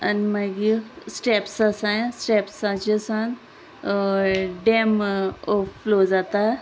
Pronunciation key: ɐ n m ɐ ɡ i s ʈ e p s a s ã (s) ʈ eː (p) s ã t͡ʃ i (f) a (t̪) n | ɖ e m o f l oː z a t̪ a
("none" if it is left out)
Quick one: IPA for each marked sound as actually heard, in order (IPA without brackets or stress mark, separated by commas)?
s, p, s, none